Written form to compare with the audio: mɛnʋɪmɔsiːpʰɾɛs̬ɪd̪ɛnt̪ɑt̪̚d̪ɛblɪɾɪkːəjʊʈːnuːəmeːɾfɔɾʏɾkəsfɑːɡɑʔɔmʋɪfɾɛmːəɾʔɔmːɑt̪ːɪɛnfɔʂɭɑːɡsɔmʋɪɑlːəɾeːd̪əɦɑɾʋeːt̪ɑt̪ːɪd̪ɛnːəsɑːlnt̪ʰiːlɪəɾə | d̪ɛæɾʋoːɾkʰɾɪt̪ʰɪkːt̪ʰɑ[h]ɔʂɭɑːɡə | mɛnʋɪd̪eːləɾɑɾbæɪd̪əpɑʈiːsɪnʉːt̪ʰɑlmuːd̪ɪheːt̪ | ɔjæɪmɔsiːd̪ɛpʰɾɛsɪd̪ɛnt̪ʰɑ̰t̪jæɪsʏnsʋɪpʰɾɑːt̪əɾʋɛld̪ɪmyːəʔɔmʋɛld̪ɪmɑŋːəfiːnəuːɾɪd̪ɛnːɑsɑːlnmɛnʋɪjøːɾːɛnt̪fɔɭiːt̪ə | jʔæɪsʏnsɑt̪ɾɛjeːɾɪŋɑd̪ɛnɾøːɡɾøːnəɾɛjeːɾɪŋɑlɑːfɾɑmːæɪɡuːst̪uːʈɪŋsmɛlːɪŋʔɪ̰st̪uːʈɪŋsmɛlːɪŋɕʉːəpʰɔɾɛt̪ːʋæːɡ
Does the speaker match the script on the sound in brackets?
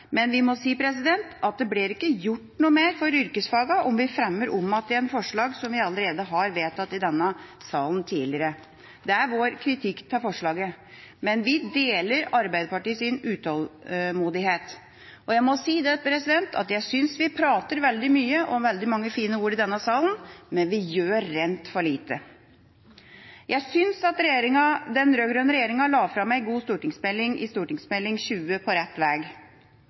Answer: no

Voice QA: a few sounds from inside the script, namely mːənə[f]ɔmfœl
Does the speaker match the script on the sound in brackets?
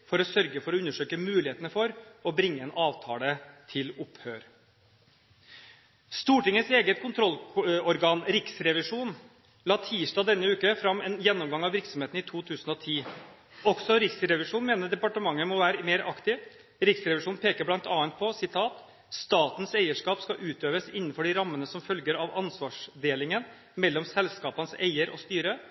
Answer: no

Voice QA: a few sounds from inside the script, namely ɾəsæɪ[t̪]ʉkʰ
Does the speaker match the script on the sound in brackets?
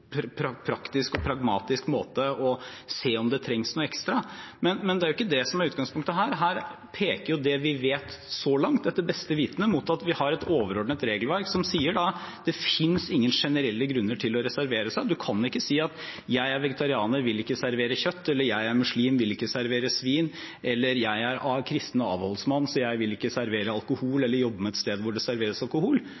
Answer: no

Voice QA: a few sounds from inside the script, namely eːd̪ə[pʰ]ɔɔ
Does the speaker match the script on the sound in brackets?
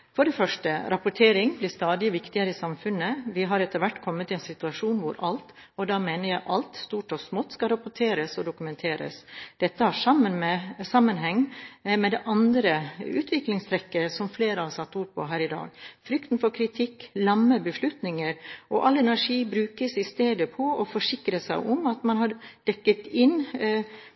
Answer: yes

